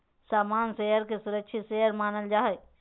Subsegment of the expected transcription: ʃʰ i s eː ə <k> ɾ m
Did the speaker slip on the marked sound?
yes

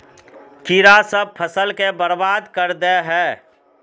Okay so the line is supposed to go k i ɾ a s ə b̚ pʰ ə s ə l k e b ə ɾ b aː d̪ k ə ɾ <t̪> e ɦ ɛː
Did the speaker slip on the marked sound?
yes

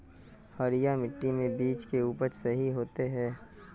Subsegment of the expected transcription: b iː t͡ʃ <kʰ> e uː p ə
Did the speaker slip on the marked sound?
yes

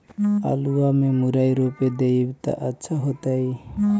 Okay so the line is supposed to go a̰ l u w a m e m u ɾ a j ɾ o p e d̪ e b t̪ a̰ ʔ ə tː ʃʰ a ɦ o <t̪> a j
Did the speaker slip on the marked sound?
no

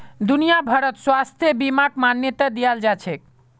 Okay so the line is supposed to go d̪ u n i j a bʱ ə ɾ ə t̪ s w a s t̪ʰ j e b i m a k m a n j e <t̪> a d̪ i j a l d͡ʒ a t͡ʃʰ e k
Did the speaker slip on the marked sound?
no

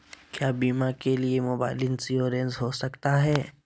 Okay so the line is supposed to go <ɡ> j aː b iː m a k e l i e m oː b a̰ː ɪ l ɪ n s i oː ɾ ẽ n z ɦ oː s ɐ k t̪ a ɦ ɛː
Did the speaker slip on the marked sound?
yes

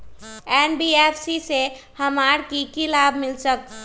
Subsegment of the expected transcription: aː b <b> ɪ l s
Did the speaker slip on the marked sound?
yes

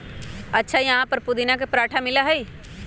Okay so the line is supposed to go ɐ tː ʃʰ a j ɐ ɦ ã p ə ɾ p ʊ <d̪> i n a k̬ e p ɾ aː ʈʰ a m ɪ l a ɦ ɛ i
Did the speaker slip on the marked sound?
no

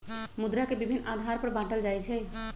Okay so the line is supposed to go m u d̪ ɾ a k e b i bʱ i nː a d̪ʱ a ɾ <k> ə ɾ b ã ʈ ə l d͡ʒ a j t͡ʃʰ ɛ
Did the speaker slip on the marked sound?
yes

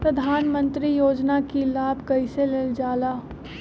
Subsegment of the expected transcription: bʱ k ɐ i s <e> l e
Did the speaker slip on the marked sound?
no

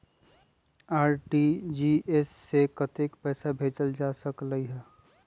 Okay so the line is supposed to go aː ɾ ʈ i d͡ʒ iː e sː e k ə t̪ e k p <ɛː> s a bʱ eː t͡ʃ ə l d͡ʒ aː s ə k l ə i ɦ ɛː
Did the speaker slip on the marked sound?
no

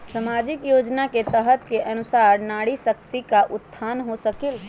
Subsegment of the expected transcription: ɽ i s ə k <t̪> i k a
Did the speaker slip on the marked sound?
no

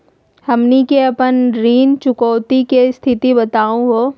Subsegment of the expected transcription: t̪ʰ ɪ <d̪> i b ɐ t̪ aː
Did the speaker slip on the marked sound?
yes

